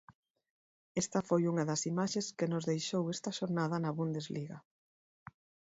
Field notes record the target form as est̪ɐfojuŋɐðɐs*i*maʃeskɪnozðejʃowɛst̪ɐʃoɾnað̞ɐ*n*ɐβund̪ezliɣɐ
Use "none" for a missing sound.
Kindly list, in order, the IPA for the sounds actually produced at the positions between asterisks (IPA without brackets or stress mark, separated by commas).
i, n